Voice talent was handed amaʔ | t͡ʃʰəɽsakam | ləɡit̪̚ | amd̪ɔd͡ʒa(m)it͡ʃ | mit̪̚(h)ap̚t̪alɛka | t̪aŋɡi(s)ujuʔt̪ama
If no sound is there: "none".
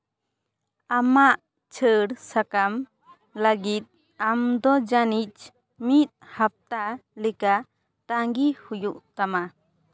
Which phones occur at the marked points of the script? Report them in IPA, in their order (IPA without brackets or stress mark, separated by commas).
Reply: n, h, h